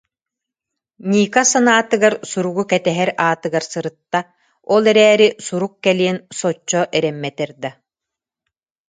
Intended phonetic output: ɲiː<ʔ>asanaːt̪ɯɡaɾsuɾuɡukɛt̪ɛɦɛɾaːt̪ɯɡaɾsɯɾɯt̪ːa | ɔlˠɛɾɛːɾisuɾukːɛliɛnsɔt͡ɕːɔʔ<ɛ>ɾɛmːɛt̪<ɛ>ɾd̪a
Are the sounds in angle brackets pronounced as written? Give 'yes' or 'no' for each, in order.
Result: no, yes, yes

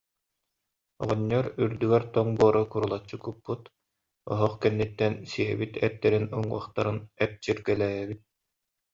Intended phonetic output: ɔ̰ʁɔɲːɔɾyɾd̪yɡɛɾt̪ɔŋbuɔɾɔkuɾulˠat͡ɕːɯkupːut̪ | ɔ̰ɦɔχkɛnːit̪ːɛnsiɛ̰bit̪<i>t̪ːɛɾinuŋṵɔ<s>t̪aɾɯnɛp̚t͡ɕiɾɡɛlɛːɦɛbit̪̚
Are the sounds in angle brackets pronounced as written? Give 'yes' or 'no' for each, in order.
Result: no, no

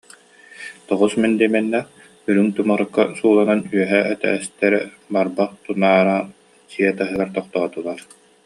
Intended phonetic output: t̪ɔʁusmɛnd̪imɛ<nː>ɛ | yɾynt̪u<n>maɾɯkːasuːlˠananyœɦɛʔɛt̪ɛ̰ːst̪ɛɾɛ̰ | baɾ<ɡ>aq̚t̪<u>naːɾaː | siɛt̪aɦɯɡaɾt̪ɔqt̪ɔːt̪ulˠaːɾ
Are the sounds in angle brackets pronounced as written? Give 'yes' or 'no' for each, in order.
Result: yes, no, no, yes

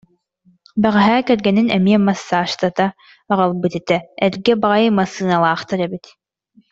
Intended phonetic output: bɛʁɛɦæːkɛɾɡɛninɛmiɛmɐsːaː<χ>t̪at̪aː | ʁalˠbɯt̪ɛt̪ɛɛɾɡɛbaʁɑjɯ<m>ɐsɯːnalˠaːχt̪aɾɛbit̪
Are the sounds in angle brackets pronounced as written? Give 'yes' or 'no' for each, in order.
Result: no, yes

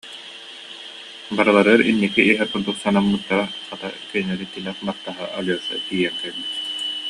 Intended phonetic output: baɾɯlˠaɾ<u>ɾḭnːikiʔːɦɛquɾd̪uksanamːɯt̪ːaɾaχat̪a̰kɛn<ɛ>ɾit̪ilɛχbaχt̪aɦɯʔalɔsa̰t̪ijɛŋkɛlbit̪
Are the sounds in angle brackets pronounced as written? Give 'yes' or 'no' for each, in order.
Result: no, yes

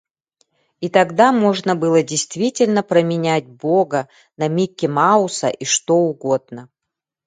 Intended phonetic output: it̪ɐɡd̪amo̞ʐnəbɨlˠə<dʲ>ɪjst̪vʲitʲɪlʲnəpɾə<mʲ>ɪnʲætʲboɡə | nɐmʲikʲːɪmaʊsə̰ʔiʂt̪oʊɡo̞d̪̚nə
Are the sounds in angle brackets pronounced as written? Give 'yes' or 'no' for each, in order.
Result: yes, yes

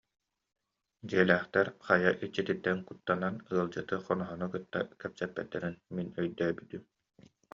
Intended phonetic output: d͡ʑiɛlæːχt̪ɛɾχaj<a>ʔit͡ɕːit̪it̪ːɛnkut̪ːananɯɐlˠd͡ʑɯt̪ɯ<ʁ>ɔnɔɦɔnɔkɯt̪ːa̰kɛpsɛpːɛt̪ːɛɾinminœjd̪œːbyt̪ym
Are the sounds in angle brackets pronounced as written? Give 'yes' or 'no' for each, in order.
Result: yes, no

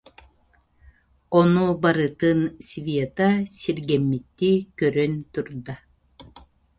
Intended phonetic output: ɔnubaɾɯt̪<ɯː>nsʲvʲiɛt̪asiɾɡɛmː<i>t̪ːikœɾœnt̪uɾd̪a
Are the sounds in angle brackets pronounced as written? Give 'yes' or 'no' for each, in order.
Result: no, yes

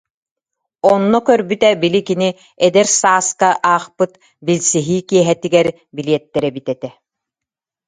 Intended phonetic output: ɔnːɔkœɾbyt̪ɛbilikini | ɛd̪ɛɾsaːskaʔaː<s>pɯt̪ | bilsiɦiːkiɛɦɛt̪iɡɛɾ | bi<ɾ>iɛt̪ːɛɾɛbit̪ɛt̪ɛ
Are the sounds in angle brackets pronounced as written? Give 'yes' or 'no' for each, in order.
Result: no, no

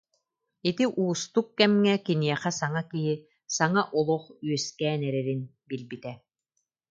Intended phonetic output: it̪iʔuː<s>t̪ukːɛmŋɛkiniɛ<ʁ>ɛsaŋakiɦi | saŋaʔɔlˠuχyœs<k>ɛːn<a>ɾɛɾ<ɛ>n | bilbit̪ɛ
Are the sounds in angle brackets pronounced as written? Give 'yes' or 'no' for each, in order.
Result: yes, no, yes, no, no

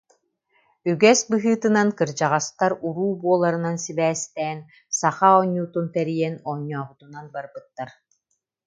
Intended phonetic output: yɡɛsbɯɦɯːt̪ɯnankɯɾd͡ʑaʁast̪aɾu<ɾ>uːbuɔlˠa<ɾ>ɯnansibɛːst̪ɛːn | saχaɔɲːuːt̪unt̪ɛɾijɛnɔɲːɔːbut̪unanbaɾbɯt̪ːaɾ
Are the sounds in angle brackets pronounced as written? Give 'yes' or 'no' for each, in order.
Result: yes, yes

